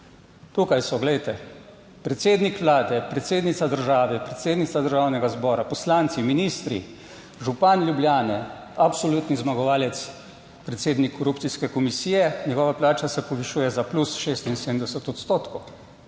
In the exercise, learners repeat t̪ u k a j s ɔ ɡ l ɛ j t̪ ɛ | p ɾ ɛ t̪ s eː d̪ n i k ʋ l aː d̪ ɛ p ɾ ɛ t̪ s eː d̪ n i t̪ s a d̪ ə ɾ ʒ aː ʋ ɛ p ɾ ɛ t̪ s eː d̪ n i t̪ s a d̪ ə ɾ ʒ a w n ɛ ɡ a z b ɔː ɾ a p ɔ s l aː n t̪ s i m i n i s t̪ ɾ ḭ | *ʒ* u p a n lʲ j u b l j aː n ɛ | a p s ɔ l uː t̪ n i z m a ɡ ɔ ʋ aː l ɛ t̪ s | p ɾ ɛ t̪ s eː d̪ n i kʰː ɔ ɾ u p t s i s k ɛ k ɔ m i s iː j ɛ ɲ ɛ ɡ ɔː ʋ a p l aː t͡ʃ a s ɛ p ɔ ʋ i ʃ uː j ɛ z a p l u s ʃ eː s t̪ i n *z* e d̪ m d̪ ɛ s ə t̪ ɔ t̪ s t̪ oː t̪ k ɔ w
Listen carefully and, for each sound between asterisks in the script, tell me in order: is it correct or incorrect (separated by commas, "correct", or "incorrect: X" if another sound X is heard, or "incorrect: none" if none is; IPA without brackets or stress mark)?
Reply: correct, incorrect: s